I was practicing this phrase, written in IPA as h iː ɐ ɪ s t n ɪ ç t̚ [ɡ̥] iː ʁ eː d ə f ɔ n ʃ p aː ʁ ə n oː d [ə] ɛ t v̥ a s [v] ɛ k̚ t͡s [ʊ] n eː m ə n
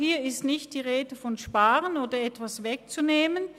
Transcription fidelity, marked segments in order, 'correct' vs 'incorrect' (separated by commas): incorrect, incorrect, correct, incorrect